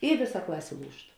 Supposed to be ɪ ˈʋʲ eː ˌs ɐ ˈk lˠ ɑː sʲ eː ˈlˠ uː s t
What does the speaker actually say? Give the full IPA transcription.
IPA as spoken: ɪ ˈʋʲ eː ˌs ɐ ˈk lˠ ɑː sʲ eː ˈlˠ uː ʃ t